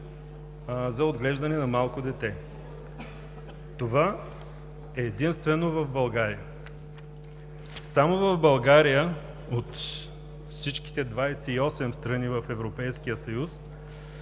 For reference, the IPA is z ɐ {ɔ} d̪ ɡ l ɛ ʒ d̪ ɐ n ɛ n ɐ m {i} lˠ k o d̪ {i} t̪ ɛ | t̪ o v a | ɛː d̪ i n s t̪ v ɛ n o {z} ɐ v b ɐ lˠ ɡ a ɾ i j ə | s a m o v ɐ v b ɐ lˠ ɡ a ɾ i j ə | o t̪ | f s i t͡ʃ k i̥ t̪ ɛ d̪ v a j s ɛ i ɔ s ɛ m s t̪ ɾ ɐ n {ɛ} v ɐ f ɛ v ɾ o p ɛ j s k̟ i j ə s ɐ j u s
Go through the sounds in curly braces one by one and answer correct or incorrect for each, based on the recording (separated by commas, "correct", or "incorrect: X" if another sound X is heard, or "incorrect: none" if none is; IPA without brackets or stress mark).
incorrect: o, incorrect: a, incorrect: ɛ, incorrect: v, incorrect: i